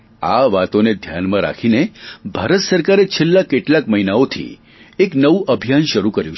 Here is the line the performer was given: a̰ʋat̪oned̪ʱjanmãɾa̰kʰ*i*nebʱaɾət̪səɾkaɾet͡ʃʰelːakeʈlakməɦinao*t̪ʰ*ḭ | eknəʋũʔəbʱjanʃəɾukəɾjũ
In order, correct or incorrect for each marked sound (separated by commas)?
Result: correct, correct